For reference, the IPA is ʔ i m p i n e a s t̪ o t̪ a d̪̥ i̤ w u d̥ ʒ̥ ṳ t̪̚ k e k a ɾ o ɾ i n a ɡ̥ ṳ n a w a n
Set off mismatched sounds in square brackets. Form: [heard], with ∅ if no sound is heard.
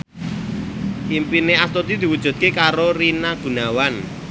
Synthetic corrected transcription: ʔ i m p i n e a s t̪ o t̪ [i] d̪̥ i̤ w u d̥ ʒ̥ ṳ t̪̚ k e k a ɾ o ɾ i n a ɡ̥ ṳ n a w a n